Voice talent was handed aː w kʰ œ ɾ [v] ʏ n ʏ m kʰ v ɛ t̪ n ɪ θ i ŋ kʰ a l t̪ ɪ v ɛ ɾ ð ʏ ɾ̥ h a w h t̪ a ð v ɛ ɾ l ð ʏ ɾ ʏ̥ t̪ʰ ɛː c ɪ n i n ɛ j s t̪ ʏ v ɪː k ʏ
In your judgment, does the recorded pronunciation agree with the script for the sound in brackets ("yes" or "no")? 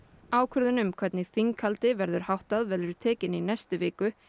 no